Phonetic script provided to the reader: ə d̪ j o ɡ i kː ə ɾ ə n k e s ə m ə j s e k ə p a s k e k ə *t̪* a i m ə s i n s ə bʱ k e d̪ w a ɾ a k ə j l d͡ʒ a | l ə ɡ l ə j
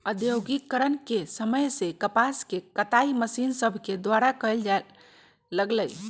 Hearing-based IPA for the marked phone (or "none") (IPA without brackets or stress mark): t̪